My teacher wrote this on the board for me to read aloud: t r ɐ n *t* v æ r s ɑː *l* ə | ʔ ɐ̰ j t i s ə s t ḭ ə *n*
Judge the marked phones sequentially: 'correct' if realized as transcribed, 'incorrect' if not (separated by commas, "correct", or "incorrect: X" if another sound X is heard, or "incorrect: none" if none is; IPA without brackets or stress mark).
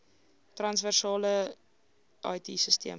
incorrect: s, correct, incorrect: m